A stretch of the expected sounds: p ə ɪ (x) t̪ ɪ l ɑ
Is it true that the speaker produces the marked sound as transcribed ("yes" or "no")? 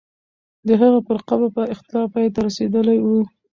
yes